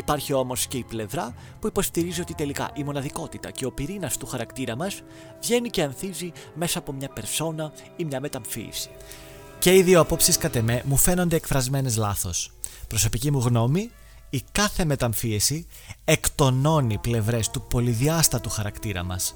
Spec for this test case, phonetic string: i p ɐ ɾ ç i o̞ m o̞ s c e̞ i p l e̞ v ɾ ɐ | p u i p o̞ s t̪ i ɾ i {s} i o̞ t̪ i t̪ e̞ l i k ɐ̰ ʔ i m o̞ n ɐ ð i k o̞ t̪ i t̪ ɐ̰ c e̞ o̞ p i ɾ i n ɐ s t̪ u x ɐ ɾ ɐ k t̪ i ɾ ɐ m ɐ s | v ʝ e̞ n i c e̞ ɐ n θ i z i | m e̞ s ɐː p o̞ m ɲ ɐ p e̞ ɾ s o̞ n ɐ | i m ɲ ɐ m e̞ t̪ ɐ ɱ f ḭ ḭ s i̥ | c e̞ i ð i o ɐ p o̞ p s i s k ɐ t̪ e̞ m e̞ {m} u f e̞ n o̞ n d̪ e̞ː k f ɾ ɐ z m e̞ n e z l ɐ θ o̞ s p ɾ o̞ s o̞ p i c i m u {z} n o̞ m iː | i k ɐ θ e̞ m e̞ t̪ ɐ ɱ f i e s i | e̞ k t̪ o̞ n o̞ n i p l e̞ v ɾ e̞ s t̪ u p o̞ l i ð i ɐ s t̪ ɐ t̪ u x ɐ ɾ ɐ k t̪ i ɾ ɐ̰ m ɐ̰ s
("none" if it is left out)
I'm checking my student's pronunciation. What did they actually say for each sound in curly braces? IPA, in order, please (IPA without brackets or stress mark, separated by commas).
z, m, ɣ